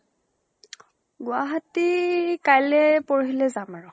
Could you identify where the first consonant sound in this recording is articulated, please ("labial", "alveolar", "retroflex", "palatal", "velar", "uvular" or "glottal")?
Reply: velar